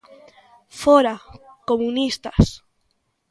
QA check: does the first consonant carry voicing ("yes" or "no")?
no